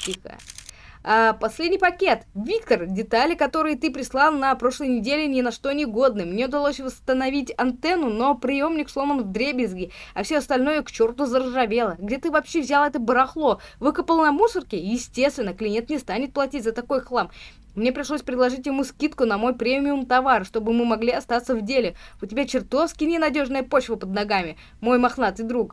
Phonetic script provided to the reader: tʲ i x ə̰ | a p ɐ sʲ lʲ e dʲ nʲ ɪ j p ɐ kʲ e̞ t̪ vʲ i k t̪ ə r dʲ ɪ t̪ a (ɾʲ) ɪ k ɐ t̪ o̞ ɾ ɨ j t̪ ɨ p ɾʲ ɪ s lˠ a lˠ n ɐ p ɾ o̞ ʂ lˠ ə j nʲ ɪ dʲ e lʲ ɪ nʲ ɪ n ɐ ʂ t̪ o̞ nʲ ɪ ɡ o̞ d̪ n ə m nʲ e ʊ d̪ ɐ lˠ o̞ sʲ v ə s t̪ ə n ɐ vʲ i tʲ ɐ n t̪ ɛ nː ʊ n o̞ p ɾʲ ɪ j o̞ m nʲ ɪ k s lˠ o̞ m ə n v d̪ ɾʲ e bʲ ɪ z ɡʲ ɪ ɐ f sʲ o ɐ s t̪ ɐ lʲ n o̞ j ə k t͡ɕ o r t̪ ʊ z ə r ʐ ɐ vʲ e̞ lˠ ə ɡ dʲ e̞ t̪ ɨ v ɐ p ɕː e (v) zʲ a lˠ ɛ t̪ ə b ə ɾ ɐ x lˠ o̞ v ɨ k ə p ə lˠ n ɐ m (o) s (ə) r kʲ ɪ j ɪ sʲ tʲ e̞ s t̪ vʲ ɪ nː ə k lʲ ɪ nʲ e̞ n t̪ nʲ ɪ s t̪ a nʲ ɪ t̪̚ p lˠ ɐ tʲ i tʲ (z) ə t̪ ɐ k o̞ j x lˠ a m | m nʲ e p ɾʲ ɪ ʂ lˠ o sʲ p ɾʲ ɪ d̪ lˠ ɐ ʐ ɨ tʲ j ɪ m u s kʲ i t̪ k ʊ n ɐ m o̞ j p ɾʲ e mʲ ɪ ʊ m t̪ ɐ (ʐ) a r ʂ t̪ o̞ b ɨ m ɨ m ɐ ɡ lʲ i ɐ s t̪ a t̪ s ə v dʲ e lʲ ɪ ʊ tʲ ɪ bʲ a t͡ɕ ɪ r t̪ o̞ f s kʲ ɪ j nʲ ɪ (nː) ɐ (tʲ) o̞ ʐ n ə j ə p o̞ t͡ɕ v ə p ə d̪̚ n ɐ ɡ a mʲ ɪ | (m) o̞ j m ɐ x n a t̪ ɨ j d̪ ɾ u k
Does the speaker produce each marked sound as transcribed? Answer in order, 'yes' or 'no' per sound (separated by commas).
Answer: no, yes, no, yes, yes, no, no, no, yes